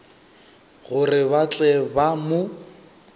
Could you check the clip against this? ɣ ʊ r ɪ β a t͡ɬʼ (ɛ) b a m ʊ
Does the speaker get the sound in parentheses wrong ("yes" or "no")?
no